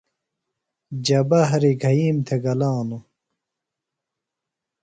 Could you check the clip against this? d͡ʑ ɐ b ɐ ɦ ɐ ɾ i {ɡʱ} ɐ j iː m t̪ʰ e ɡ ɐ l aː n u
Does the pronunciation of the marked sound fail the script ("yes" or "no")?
no